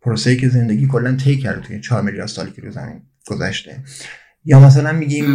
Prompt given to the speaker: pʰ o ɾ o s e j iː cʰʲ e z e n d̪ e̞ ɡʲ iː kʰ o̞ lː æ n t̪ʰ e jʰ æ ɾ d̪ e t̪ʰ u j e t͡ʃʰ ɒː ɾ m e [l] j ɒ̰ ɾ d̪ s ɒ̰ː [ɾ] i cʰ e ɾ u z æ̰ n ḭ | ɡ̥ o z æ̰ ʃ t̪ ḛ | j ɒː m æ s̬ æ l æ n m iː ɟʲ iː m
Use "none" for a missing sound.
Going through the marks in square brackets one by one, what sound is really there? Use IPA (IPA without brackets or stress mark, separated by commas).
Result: l, l